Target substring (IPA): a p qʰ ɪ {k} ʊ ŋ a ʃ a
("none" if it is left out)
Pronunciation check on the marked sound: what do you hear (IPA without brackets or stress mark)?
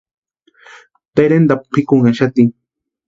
k